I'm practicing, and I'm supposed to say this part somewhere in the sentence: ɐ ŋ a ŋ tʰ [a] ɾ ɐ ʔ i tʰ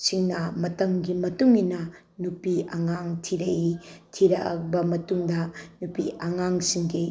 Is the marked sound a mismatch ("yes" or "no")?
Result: yes